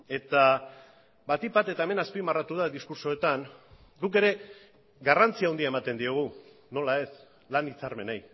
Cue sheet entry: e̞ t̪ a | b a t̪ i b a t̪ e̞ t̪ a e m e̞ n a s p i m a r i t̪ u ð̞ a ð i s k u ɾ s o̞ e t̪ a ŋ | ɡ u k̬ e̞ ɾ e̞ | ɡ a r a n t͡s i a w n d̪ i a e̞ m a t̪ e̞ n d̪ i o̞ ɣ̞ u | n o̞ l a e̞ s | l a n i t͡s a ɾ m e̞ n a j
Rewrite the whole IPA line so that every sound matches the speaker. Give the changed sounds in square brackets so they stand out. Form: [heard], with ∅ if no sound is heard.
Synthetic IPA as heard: e̞ t̪ a | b a t̪ i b a t̪ e̞ t̪ a e m e̞ n a s p i m a r [a] t̪ u ð̞ a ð i s k u ɾ s o̞ e t̪ a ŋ | ɡ u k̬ e̞ ɾ e̞ | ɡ a r a n t͡s i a w n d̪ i a e̞ m a t̪ e̞ n d̪ i o̞ ɣ̞ u | n o̞ l a e̞ s | l a n i t͡s a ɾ m e̞ n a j

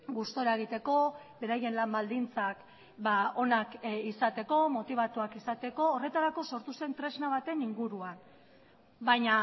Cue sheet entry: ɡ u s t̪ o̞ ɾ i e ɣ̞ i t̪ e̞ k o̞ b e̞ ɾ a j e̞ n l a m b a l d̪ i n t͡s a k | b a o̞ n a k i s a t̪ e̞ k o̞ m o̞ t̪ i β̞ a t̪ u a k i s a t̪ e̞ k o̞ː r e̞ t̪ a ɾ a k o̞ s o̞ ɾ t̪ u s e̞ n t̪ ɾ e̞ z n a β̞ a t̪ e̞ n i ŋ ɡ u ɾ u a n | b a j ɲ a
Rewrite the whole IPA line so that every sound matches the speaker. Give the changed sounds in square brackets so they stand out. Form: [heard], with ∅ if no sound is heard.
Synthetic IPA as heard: ɡ u s t̪ o̞ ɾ [a] e ɣ̞ i t̪ e̞ k o̞ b e̞ ɾ a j e̞ n l a m b a l d̪ i n t͡s a k | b a o̞ n a k i s a t̪ e̞ k o̞ m o̞ t̪ i β̞ a t̪ u a k i s a t̪ e̞ k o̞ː r e̞ t̪ a ɾ a k o̞ s o̞ ɾ t̪ u s e̞ n t̪ ɾ e̞ z n a β̞ a t̪ e̞ n i ŋ ɡ u ɾ u a n | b a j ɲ a

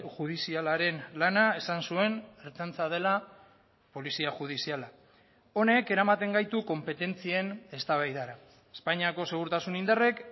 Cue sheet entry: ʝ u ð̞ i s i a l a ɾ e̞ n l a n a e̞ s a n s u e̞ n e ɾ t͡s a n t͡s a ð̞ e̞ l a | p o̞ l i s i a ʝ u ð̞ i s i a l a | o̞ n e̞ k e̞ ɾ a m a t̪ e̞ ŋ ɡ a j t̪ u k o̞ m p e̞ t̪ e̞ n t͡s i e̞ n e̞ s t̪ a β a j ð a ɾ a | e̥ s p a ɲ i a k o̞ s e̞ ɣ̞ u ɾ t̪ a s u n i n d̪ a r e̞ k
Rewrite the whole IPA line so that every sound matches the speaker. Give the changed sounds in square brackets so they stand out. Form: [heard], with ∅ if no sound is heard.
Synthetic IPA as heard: ʝ u ð̞ i s i a l a ɾ e̞ n l a n a e̞ s a n s u e̞ n e ɾ t͡s a n t͡s a ð̞ e̞ l a | p o̞ l i s i a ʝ u ð̞ i s i a l a | o̞ n e̞ k e̞ ɾ a m a t̪ e̞ ŋ ɡ a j t̪ u k o̞ m p e̞ t̪ e̞ n t͡s i e̞ n e̞ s t̪ a β a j ð a ɾ a | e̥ s p a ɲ i a k o̞ s e̞ ɣ̞ u ɾ t̪ a s u n i n d̪ a r e̞ k

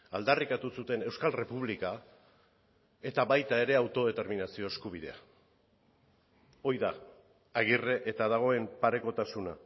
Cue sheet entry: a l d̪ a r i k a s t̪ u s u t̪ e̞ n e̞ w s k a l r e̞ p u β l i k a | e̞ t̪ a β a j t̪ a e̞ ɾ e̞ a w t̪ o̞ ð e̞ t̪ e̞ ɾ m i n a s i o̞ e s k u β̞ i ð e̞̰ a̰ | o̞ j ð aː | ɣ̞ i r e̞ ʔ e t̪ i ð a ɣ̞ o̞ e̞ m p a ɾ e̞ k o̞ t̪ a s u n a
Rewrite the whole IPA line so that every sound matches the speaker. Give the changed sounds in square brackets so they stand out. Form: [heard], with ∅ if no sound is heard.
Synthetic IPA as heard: a l d̪ a r i k a [∅] t̪ u s u t̪ e̞ n e̞ w s k a l r e̞ p u β l i k a | e̞ t̪ a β a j t̪ a e̞ ɾ e̞ a w t̪ o̞ ð e̞ t̪ e̞ ɾ m i n a s i o̞ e s k u β̞ i ð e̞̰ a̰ | o̞ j ð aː | ɣ̞ i r e̞ ʔ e t̪ [a] ð a ɣ̞ o̞ e̞ m p a ɾ e̞ k o̞ t̪ a s u n a

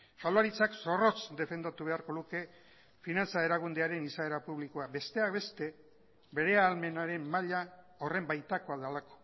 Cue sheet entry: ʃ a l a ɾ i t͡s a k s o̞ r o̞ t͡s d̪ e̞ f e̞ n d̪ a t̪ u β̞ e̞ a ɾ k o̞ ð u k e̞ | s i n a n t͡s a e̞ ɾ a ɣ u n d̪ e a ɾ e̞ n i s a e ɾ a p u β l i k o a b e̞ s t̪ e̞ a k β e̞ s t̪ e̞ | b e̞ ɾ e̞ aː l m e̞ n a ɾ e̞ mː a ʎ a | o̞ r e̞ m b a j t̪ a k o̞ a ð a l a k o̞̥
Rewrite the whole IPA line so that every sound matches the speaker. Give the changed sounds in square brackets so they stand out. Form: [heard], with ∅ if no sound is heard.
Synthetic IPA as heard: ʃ a l a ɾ i t͡s a k s o̞ r o̞ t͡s d̪ e̞ f e̞ n d̪ a t̪ u β̞ e̞ a ɾ k o̞ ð u k e̞ | [f] i n a n t͡s a e̞ ɾ a ɣ u n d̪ e a ɾ e̞ n i s a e ɾ a p u β l i k o a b e̞ s t̪ e̞ a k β e̞ s t̪ e̞ | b e̞ ɾ e̞ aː l m e̞ n a ɾ e̞ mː a ʎ a | o̞ r e̞ m b a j t̪ a k o̞ a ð a l a k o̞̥

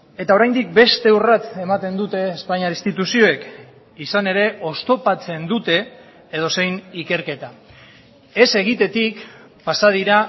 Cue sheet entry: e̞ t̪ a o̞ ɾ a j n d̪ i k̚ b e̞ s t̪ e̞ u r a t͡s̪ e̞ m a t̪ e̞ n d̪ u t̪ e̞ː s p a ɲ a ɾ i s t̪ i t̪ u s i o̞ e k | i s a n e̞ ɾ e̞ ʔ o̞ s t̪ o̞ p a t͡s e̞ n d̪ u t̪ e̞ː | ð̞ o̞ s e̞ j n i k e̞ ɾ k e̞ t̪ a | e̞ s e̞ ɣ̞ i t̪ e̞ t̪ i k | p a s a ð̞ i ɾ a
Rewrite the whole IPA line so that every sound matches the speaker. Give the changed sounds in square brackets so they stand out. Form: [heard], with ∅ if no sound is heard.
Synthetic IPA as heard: e̞ t̪ a o̞ ɾ a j n d̪ i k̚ b e̞ s t̪ e̞ u r a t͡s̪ e̞ m a t̪ e̞ n d̪ u t̪ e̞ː s p a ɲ a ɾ i s t̪ i t̪ u s i o̞ e k | i s a n e̞ ɾ e̞ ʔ o̞ s t̪ o̞ p a t͡s e̞ n d̪ u t̪ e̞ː | ð̞ o̞ s e̞ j n i k e̞ ɾ k e̞ t̪ a | e̞ s e̞ ɣ̞ i t̪ e̞ t̪ i k | p a s a ð̞ i ɾ a

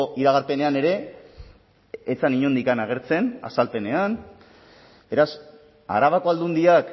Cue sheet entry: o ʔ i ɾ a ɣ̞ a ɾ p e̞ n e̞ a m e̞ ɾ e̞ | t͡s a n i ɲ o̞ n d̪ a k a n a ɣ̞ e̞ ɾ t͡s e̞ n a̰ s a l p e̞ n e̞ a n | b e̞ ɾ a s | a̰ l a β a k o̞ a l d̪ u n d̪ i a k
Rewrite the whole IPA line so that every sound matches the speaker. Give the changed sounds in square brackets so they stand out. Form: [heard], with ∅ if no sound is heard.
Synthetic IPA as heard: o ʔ i ɾ a ɣ̞ a ɾ p e̞ n e̞ a [n] e̞ ɾ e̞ | t͡s a n i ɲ o̞ n d̪ [i] k a n a ɣ̞ e̞ ɾ t͡s e̞ n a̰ s a l p e̞ n e̞ a n | b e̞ ɾ a s | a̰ [ɾ] a β a k o̞ a l d̪ u n d̪ i a k

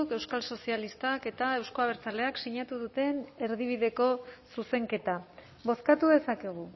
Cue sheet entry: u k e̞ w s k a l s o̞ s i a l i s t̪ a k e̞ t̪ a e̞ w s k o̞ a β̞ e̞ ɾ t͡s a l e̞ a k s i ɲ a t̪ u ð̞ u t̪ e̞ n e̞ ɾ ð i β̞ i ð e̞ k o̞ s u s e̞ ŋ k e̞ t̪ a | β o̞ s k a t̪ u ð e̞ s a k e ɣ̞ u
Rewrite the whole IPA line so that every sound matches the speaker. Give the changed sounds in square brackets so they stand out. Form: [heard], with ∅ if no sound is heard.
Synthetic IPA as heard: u k e̞ w s k a l s o̞ s i a l i s t̪ a k e̞ t̪ a e̞ w s k o̞ a β̞ e̞ ɾ t͡s a l e̞ a k s i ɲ a t̪ u ð̞ u t̪ e̞ n e̞ ɾ ð i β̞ i ð e̞ k o̞ s u s e̞ ŋ k e̞ t̪ a | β o̞ s k a t̪ u ð e̞ s a k e ɣ̞ u

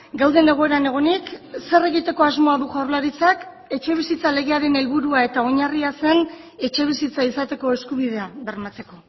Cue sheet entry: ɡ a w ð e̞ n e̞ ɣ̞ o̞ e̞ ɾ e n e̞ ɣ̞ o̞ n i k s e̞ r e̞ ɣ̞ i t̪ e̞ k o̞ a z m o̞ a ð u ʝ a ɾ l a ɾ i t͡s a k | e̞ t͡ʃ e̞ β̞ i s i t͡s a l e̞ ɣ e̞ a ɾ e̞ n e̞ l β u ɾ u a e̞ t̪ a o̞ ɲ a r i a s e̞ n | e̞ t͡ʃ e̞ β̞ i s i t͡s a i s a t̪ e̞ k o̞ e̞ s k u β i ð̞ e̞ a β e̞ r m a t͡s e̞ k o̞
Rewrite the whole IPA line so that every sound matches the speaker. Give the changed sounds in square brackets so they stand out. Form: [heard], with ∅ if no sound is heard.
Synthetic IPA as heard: ɡ a w ð e̞ n e̞ ɣ̞ o̞ e̞ ɾ [a] n e̞ ɣ̞ o̞ n i k s e̞ r e̞ ɣ̞ i t̪ e̞ k o̞ a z m o̞ a ð u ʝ a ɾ l a ɾ i t͡s a k | e̞ t͡ʃ e̞ β̞ i s i t͡s a l e̞ ɣ e̞ a ɾ e̞ n e̞ l β u ɾ u a e̞ t̪ a o̞ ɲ a r i a s e̞ n | e̞ t͡ʃ e̞ β̞ i s i t͡s a i s a t̪ e̞ k o̞ e̞ s k u β i ð̞ e̞ a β e̞ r m a t͡s e̞ k o̞

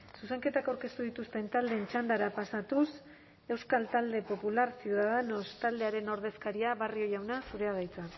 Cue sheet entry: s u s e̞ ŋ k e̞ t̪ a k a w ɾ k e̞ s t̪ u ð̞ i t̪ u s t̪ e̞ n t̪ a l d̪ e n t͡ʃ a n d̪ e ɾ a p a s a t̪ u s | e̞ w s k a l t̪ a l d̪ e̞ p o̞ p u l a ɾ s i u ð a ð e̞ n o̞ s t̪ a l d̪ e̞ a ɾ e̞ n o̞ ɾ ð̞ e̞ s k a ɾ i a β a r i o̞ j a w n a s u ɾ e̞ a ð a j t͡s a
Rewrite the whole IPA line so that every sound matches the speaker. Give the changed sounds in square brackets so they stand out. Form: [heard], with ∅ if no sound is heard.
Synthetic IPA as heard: s u s e̞ ŋ k e̞ t̪ a k a w ɾ k e̞ s t̪ u ð̞ i t̪ u s t̪ e̞ n t̪ a l d̪ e n t͡ʃ a n d̪ [a] ɾ a p a s a t̪ u s | e̞ w s k a l t̪ a l d̪ e̞ p o̞ p u l a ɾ s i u ð a ð e̞ n o̞ s t̪ a l d̪ e̞ a ɾ e̞ n o̞ ɾ ð̞ e̞ s k a ɾ i a β a r i o̞ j a w n a s u ɾ e̞ a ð a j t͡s a

